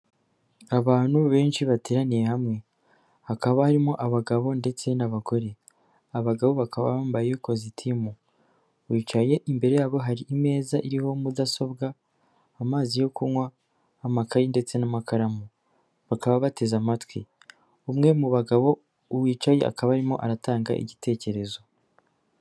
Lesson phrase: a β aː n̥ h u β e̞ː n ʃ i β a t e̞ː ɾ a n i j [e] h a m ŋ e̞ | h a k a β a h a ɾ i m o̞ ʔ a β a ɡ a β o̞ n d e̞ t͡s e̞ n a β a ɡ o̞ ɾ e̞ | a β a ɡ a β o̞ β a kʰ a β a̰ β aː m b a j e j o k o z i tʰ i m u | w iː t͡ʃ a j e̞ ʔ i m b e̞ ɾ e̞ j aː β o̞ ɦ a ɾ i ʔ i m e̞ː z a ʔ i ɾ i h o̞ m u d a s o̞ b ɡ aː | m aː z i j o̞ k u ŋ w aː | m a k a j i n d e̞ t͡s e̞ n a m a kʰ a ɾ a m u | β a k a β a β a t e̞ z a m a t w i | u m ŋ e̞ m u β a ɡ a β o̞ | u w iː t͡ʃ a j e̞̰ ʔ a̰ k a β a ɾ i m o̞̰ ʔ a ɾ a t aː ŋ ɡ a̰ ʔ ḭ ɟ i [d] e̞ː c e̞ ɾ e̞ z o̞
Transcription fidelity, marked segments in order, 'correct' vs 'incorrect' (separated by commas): correct, incorrect